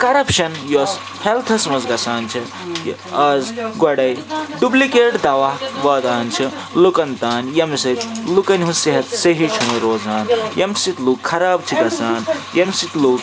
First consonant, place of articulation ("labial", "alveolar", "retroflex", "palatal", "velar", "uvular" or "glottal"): velar